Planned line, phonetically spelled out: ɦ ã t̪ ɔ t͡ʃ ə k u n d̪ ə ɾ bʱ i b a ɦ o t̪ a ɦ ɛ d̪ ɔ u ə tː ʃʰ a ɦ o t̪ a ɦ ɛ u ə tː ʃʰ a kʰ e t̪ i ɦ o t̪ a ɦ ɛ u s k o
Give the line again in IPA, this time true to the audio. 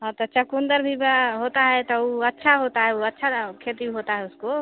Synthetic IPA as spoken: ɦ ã t̪ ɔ t͡ʃ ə k u n d̪ ə ɾ bʱ i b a ɦ o t̪ a ɦ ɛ t̪ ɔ u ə tː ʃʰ a ɦ o t̪ a ɦ ɛ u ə tː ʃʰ a kʰ e t̪ i ɦ o t̪ a ɦ ɛ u s k o

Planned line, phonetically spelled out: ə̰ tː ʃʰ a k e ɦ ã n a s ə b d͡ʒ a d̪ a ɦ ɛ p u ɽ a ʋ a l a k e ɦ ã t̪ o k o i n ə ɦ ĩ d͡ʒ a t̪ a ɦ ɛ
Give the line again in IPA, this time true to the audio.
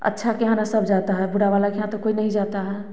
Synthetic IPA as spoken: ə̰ tː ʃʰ a k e ɦ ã n a s ə b d͡ʒ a t̪ a ɦ ɛ b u ɽ a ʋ a l a k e ɦ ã t̪ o k o i n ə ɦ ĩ d͡ʒ a t̪ a ɦ ɛ

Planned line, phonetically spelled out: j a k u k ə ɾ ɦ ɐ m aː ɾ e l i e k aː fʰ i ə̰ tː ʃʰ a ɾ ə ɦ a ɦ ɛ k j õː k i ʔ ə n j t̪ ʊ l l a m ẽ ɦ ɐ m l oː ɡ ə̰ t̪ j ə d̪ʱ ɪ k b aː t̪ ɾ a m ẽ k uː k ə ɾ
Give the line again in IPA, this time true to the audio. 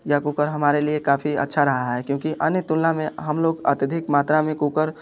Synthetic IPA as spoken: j a k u k ə ɾ ɦ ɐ m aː ɾ e l i e k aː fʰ i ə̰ tː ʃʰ a ɾ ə ɦ a ɦ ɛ k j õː k i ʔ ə n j t̪ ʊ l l a m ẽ ɦ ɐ m l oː ɡ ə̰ t̪ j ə d̪ʱ ɪ k m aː t̪ ɾ a m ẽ k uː k ə ɾ

